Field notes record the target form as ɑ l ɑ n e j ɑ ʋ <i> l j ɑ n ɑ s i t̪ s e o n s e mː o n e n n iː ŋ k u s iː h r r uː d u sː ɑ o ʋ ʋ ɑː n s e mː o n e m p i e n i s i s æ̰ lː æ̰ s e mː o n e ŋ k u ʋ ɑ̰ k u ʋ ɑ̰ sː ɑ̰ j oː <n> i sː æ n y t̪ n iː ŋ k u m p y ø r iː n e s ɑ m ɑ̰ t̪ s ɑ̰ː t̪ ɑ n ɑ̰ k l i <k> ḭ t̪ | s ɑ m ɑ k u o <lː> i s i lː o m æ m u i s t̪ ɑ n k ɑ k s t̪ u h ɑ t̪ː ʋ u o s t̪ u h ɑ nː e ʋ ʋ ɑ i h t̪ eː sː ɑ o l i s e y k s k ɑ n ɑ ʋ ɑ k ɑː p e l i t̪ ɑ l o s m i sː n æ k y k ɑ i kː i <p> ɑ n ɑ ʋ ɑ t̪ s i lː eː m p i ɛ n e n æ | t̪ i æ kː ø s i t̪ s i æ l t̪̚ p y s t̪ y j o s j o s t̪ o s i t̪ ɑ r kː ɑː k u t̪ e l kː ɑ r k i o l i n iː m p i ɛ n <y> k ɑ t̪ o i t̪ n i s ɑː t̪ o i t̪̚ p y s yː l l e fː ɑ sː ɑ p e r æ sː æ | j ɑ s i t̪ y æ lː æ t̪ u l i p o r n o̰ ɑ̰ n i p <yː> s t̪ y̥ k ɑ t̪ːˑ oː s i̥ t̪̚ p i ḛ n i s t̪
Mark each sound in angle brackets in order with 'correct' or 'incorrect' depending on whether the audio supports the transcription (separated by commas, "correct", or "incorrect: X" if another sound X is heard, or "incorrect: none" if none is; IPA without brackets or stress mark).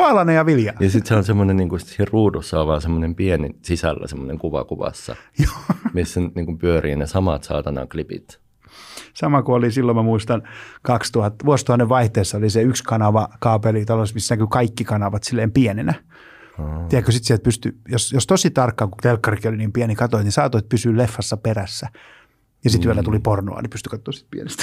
correct, incorrect: m, incorrect: p, incorrect: l, incorrect: k, incorrect: i, incorrect: y